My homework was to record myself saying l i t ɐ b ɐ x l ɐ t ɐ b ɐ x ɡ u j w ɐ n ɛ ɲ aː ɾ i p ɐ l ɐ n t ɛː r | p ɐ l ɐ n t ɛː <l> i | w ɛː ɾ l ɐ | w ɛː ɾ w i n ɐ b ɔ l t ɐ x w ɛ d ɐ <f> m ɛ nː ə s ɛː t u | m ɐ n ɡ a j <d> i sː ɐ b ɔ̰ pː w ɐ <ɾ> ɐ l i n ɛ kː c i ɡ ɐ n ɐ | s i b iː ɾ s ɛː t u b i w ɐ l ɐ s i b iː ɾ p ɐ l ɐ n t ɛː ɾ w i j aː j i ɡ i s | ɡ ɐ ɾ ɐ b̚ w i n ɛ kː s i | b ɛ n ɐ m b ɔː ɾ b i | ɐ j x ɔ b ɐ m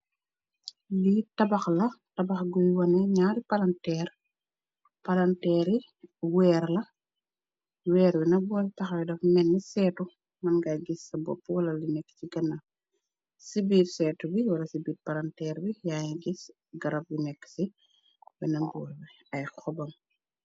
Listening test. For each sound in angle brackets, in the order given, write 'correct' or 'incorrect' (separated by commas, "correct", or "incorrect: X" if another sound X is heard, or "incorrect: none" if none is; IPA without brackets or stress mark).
incorrect: ɾ, correct, incorrect: ɡ, incorrect: l